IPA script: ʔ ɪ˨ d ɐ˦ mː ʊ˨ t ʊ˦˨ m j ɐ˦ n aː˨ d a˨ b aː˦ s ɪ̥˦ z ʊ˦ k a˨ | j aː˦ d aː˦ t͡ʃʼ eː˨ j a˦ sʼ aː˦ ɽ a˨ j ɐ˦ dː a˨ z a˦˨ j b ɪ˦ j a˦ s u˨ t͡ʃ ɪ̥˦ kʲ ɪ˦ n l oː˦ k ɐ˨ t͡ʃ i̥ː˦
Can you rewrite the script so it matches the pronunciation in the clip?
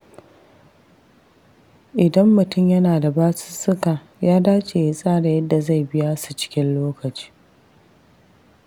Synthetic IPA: ʔ ɪ˨ d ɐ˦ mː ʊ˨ t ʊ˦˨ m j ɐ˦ n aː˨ d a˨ b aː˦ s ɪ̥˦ s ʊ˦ k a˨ | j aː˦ d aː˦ t͡ʃʼ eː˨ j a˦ sʼ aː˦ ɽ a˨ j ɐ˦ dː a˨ z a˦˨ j b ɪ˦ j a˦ s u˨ t͡ʃ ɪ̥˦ kʲ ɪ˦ n l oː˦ k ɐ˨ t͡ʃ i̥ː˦